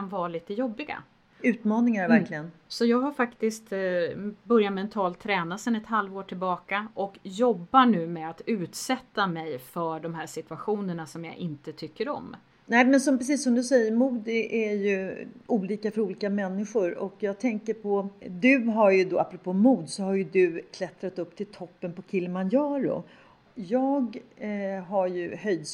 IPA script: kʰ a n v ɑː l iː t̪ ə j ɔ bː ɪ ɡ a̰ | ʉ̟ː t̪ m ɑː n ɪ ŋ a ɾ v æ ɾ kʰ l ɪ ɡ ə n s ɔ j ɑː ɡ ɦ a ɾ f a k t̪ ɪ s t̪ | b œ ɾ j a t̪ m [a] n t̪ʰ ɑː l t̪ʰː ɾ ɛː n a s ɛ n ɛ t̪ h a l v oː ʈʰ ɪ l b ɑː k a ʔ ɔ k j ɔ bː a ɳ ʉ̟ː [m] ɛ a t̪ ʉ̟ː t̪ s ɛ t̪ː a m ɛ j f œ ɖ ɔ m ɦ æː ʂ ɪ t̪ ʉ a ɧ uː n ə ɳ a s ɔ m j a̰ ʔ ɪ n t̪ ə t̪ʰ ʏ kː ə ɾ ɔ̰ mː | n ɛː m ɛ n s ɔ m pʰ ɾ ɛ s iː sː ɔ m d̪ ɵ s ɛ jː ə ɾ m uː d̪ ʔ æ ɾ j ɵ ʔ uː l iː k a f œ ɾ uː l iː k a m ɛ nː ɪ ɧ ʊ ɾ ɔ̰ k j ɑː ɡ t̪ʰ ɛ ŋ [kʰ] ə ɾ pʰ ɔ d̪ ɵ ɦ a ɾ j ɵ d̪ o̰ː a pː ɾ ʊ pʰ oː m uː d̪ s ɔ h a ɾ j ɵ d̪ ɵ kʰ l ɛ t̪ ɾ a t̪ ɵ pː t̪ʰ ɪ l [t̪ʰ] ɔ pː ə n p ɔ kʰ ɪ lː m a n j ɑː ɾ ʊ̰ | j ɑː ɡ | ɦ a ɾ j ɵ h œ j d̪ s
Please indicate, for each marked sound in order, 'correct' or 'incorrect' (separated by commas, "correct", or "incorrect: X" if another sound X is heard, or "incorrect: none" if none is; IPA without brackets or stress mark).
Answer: incorrect: ɛ, correct, incorrect: k, correct